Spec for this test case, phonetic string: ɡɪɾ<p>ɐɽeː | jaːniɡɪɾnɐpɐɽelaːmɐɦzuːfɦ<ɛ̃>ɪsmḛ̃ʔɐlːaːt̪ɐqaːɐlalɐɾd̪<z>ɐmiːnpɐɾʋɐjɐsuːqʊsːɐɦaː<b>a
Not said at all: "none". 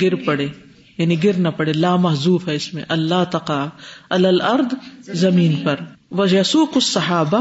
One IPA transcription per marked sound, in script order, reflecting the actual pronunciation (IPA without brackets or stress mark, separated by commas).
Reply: p, ɛ, z, b